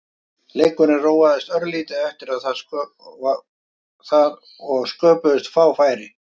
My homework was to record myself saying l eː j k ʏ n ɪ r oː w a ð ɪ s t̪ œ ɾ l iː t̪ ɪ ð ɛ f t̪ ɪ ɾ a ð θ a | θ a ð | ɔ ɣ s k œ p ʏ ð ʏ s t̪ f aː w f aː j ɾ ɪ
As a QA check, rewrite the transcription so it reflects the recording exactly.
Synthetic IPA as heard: l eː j k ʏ n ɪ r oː w a ð ɪ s t̪ œ ɾ l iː t̪ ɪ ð ɛ f t̪ ɪ ɾ a ð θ a | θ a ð | ɔ ɣ s k œː p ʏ ð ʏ s t̪ f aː w f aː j ɾ ɪ